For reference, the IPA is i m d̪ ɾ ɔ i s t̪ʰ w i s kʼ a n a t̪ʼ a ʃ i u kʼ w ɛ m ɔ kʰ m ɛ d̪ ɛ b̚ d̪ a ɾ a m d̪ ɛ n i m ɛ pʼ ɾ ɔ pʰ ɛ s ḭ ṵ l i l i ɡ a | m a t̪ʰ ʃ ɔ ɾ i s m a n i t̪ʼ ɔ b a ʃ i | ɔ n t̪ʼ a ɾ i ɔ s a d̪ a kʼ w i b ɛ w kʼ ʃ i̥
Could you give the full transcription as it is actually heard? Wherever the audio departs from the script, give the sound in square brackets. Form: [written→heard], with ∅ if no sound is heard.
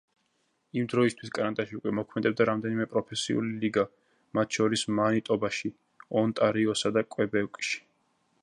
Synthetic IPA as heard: i m d̪ ɾ ɔ i s t̪ʰ w i s kʼ a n a t̪ʼ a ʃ i u kʼ w ɛ m ɔ kʰ m ɛ d̪ ɛ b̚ d̪ a ɾ a m d̪ ɛ n i m ɛ pʼ ɾ ɔ pʰ ɛ s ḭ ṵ l i l i ɡ a | m a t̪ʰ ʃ ɔ ɾ i s m a n i t̪ʼ ɔ b a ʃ i | ɔ n t̪ʼ a ɾ i ɔ s a d̪ a kʼ w [i→ɛ] b ɛ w kʼ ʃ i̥